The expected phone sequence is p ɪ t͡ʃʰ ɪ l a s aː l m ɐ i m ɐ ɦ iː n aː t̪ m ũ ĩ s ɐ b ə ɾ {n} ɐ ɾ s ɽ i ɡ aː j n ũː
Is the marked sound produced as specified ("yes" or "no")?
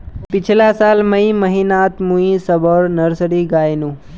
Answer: yes